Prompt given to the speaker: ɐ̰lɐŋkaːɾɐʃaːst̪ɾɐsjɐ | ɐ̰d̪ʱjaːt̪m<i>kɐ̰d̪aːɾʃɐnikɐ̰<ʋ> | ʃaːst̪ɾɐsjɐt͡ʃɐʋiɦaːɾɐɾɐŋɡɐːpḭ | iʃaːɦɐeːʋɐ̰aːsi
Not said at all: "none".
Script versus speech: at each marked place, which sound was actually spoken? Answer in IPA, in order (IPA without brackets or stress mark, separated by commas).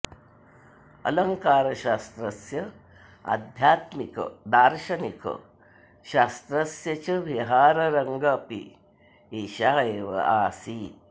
i, none